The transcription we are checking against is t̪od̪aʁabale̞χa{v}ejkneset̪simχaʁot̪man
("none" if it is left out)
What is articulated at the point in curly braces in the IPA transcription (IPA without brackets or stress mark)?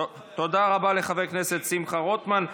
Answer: v